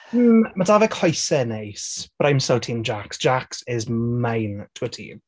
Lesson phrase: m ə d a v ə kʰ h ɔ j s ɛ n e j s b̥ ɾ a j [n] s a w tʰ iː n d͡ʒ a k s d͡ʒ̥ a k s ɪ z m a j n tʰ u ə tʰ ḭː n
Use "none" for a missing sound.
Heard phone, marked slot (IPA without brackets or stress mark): m